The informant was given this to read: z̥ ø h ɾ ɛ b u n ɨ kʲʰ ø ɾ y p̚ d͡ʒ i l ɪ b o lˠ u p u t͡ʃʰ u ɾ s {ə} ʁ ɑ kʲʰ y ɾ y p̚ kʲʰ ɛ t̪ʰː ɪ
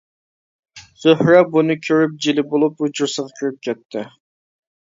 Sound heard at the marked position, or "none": ə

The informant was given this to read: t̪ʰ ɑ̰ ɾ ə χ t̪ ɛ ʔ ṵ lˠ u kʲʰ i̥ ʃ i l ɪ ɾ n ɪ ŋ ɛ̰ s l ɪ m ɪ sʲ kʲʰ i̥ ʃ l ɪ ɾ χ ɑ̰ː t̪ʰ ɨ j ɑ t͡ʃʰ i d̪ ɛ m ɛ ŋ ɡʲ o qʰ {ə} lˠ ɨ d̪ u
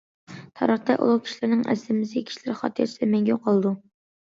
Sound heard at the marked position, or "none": ɑ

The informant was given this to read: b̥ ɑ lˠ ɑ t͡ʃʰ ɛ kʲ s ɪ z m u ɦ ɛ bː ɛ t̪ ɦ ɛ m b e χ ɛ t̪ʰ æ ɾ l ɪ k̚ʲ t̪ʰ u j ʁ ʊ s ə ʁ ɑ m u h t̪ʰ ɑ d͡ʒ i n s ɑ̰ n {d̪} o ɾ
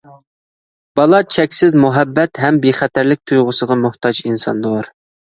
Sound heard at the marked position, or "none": d̪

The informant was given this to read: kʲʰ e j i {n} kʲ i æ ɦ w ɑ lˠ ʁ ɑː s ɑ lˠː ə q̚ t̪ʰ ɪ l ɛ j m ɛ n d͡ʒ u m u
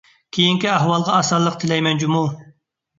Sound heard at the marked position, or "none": ŋ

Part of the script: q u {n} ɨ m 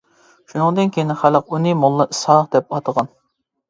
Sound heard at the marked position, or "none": n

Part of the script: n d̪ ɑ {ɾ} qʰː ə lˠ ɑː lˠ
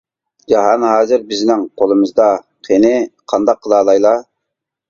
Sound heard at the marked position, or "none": none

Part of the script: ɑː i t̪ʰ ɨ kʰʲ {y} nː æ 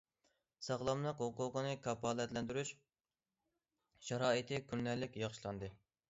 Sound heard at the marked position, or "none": y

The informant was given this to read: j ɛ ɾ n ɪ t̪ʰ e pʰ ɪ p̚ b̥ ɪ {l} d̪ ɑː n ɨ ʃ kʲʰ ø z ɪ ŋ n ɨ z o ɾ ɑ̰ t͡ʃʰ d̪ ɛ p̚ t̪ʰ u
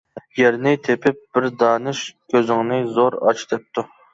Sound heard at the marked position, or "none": ɾ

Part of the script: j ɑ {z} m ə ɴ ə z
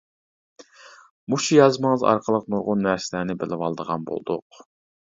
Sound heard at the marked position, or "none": z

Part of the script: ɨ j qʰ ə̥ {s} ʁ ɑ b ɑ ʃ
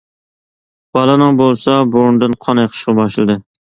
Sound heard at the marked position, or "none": ʃ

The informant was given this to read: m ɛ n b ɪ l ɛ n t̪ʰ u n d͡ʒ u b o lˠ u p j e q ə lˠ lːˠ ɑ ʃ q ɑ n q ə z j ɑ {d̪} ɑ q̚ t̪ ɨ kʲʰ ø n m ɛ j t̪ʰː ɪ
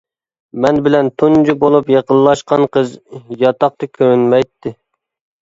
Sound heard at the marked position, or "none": t̪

